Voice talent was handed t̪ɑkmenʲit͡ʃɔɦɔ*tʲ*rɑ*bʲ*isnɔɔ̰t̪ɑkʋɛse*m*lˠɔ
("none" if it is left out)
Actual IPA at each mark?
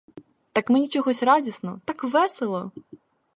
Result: sʲ, dʲ, none

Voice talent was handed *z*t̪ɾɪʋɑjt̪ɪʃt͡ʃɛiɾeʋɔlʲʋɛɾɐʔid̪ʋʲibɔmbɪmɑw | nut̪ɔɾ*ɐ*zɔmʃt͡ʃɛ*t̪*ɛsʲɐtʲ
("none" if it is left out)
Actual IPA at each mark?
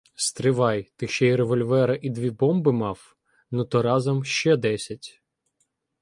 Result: s, ɑ, d̪

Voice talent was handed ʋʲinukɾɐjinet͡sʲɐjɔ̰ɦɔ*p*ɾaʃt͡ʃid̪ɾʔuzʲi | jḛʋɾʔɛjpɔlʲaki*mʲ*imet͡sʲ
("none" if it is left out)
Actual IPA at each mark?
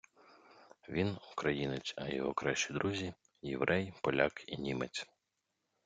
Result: k, nʲ

